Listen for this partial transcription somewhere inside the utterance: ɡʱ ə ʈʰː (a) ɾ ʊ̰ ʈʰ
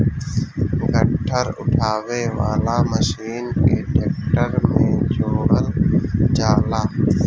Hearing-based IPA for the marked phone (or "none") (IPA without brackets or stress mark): ə